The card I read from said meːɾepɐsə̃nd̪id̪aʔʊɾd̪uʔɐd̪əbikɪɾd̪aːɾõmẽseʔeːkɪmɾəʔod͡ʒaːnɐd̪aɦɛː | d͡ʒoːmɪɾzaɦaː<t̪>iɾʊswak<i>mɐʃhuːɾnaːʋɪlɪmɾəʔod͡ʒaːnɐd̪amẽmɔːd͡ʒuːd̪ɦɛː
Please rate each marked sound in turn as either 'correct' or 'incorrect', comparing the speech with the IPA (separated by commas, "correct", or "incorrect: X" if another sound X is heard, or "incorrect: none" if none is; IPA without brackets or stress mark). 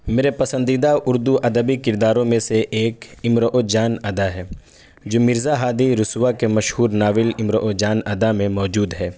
incorrect: d̪, incorrect: e